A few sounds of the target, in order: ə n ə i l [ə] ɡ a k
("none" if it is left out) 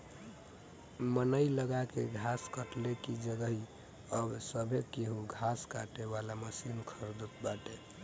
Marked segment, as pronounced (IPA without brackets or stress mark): ə